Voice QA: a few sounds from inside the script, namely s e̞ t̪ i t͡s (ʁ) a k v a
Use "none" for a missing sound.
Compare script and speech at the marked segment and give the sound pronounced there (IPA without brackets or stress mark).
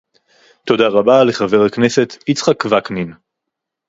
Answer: χ